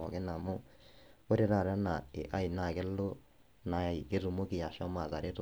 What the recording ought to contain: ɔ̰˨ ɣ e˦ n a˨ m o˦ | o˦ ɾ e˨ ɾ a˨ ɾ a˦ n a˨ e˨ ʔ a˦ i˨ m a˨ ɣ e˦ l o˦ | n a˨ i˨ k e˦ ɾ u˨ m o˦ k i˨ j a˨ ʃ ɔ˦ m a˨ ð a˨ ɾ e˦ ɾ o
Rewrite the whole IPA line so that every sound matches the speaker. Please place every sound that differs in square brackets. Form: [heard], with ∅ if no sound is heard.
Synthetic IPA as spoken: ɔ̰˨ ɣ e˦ n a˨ m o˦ | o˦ ɾ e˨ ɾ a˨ ɾ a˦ n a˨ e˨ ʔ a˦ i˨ [n] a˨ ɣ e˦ l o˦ | n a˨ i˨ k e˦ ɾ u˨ m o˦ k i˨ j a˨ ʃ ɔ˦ m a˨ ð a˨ ɾ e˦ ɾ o